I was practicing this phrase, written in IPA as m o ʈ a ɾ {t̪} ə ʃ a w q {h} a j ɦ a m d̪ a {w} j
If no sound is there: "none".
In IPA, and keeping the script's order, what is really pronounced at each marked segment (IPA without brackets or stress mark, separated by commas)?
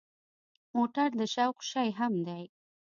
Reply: d̪, ʃ, none